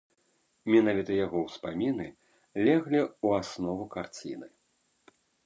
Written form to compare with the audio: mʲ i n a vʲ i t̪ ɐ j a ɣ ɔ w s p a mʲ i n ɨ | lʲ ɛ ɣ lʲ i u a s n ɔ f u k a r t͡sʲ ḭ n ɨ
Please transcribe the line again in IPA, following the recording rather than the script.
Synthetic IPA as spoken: mʲ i n a vʲ i t̪ ɐ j a ɣ ɔ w s p a mʲ i n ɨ | lʲ ɛ ɣ lʲ i u a s n ɔ v u k a r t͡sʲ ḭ n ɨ